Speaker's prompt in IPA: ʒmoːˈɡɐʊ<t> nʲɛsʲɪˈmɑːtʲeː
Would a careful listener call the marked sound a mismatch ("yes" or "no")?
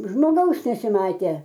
yes